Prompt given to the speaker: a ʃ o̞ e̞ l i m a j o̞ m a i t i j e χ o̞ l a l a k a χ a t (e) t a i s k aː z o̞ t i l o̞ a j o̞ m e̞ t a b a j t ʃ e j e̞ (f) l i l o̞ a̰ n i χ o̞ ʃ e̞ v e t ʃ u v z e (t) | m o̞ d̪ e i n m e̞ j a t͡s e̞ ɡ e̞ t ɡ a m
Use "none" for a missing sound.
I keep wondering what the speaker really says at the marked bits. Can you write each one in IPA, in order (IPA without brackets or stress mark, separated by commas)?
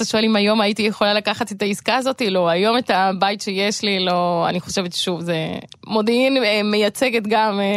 e, ʃ, none